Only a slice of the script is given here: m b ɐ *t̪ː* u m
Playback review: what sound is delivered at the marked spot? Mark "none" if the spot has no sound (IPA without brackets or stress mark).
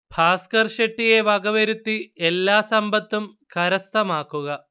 t̪ː